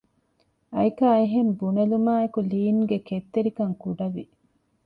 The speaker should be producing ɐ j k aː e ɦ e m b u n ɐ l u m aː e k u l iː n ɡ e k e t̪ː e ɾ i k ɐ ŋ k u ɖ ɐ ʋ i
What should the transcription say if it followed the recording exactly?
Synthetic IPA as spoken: ɐ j k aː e ɦ e m b u n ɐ l u m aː e k u l iː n ɡ e k e t̪ː e ɾ i k ɐ ŋ k u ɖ ɐ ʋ i